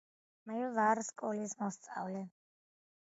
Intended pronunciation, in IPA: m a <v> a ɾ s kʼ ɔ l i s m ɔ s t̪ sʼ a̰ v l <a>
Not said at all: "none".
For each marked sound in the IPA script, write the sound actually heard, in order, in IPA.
v, ɛ

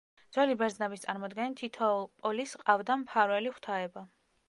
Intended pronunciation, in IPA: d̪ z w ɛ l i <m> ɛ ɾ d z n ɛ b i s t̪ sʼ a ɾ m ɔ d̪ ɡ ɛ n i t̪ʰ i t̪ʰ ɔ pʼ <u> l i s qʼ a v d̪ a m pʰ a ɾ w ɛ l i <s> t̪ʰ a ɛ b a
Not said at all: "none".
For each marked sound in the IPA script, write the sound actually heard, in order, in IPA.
b, ɔ, χ

